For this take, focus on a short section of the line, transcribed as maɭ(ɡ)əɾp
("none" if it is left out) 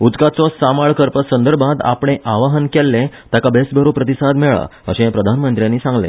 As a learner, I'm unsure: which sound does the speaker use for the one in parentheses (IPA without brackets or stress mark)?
k